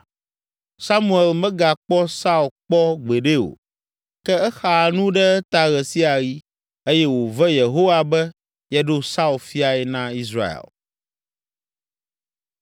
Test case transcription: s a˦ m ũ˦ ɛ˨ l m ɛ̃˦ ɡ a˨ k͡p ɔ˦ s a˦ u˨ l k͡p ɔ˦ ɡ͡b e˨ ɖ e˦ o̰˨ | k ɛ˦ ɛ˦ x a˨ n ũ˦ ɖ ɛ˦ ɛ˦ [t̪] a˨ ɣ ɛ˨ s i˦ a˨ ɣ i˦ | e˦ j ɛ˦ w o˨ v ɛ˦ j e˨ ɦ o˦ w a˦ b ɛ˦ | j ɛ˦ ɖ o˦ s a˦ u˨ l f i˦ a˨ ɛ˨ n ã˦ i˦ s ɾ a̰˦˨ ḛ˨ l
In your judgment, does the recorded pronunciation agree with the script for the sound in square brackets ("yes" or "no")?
yes